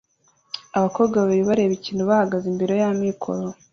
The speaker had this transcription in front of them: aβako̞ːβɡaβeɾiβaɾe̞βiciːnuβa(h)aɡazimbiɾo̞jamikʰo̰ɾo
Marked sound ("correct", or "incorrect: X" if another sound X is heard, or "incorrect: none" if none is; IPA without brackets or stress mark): correct